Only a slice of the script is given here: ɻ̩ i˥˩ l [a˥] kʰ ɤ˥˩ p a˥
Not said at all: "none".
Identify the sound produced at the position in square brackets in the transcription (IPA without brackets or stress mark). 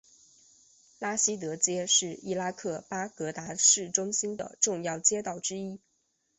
a˥